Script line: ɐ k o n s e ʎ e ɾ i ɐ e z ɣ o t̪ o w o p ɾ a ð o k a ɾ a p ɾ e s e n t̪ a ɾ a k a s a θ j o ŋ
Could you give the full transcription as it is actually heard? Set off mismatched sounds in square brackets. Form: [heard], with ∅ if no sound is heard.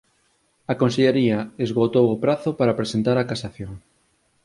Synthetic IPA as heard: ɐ k o n s e ʎ e ɾ i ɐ e z ɣ o t̪ o w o p ɾ a [θ] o [p] a ɾ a p ɾ e s e n t̪ a ɾ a k a s a θ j o ŋ